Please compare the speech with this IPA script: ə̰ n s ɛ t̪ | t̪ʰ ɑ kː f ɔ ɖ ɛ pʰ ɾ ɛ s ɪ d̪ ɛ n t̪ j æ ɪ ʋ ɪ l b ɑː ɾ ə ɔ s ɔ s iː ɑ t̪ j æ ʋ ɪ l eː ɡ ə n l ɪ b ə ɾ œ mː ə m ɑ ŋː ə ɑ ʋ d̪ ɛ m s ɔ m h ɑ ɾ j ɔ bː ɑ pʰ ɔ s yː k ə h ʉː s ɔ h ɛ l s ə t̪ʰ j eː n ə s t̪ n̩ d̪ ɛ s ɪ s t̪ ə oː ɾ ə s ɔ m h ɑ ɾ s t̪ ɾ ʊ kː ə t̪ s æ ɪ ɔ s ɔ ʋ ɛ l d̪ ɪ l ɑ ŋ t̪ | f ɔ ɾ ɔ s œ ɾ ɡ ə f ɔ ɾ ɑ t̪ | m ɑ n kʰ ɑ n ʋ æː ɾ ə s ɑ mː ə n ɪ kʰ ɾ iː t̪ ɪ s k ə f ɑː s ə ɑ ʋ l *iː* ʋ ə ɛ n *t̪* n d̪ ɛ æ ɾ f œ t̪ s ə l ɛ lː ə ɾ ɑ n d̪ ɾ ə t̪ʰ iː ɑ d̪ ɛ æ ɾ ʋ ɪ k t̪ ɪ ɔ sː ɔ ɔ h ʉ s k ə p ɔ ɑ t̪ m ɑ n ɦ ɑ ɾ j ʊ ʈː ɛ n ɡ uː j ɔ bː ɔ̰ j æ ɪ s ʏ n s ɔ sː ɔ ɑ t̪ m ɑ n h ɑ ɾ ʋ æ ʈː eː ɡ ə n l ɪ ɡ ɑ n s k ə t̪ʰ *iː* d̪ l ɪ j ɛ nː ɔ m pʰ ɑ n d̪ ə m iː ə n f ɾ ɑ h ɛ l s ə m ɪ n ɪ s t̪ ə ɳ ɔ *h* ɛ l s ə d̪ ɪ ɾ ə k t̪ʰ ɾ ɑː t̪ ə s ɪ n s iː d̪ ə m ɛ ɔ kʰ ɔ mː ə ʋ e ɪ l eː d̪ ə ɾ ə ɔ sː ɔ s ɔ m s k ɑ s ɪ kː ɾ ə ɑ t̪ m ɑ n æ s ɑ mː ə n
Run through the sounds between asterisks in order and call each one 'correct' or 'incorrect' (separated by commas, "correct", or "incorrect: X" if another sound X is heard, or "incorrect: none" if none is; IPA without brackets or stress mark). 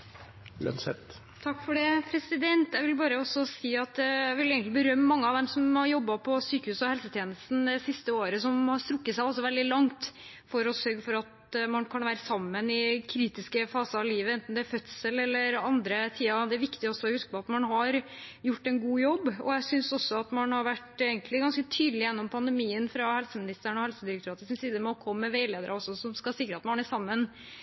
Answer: correct, correct, incorrect: yː, correct